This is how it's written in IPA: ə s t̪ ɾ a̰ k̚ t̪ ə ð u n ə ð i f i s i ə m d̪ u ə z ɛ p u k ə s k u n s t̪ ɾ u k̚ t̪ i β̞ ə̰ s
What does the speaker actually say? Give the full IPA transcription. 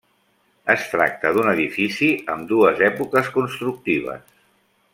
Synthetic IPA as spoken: ə s t̪ ɾ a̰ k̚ t̪ ə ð u n ə ð i f i s i ə m d̪ u ə z ɛ p u k ə s k u n s t̪ ɾ u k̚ t̪ i β̞ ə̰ s